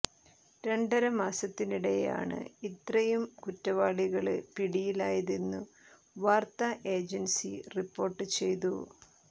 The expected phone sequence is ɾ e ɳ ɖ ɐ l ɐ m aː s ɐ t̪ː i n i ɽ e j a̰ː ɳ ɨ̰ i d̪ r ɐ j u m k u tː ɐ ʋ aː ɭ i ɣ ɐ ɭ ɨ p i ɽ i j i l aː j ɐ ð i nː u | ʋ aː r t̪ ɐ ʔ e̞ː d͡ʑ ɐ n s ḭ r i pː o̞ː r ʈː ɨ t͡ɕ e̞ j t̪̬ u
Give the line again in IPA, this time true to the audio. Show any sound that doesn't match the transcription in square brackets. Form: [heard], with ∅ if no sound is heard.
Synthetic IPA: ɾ e ɳ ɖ ɐ [ɾ] ɐ m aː s ɐ t̪ː i n i ɽ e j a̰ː ɳ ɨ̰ i [t̪] r ɐ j u m k u tː ɐ ʋ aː ɭ i ɣ ɐ ɭ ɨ p i ɽ i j i l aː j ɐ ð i nː u | ʋ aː r t̪ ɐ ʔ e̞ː d͡ʑ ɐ n s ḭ r i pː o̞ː r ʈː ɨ t͡ɕ e̞ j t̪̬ u

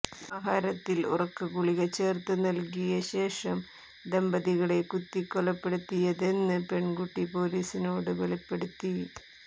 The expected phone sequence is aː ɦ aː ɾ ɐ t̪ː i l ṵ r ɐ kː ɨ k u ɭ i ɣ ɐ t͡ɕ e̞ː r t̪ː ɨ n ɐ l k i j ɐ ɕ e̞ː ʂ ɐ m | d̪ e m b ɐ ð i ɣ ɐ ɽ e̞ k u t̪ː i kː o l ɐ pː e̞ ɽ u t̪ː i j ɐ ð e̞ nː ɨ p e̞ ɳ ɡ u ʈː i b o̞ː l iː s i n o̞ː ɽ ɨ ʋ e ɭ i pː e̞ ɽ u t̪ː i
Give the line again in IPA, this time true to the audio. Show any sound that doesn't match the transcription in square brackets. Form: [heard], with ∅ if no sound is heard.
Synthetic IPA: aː ɦ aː ɾ ɐ t̪ː i l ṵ r ɐ kː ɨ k u ɭ i ɣ ɐ t͡ɕ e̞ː r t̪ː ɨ n ɐ l k i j ɐ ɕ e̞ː ʂ ɐ m | d̪ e m b ɐ ð i ɣ ɐ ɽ e̞ k u t̪ː i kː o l ɐ pː e̞ ɽ u t̪ː i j ɐ ð e̞ nː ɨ p e̞ ɳ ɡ u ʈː i [p] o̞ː l iː s i n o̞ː ɽ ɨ ʋ e ɭ i pː e̞ ɽ u t̪ː i

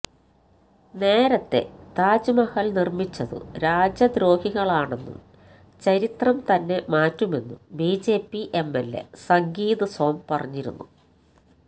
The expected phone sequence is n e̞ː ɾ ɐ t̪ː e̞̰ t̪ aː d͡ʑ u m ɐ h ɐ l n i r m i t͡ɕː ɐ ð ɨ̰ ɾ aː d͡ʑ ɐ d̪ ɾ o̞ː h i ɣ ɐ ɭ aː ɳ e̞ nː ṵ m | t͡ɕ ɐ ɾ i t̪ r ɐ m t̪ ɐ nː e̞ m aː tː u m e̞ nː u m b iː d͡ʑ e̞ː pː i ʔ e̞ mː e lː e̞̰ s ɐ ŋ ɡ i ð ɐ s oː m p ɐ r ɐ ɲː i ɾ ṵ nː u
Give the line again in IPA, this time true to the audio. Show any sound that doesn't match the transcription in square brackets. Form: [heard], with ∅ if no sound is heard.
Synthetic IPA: n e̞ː ɾ ɐ t̪ː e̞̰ t̪ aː d͡ʑ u m ɐ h ɐ l n i r m i t͡ɕː ɐ ð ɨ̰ ɾ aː d͡ʑ ɐ d̪ ɾ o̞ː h i ɣ ɐ ɭ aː ɳ e̞ nː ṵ m | t͡ɕ ɐ ɾ i t̪ r ɐ m t̪ ɐ nː e̞ m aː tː u m e̞ nː u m b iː d͡ʑ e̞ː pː i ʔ e̞ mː e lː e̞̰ s ɐ ŋ ɡ [iː] ð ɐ s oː m p ɐ r ɐ ɲː i ɾ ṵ nː u

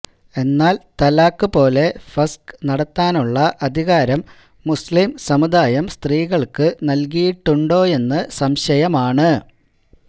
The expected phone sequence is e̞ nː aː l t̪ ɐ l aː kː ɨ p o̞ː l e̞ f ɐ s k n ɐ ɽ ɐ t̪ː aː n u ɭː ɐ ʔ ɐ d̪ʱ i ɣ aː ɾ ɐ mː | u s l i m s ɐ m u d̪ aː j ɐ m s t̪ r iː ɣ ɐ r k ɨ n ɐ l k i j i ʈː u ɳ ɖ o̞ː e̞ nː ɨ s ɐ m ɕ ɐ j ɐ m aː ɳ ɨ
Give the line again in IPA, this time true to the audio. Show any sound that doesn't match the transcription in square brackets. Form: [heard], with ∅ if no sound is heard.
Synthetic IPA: e̞ nː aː l t̪ ɐ l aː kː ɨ p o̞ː l e̞ f ɐ s k n ɐ ɽ ɐ t̪ː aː n u ɭː ɐ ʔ ɐ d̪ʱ i ɣ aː ɾ ɐ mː | u s l i m s ɐ m u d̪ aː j ɐ m s t̪ r iː ɣ ɐ [ɭ] k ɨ n ɐ l k i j i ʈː u ɳ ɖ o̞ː e̞ nː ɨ s ɐ m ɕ ɐ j ɐ m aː ɳ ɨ

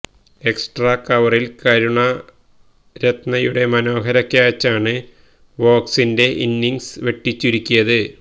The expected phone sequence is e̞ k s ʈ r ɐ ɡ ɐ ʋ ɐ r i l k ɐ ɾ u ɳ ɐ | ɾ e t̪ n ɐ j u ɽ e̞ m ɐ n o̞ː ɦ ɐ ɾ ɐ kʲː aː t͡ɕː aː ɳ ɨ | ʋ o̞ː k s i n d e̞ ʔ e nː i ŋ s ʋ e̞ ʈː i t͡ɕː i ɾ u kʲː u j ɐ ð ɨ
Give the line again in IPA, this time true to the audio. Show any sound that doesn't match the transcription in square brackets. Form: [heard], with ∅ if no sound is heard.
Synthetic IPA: e̞ k s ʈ r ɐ [k] ɐ ʋ ɐ r i l k ɐ ɾ u ɳ ɐ | ɾ e t̪ n ɐ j u ɽ e̞ m ɐ n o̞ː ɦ ɐ ɾ ɐ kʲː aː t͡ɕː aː ɳ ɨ | ʋ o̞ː k s i n d e̞ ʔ [i] nː i ŋ s ʋ e̞ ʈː i t͡ɕː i ɾ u kʲː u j ɐ ð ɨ

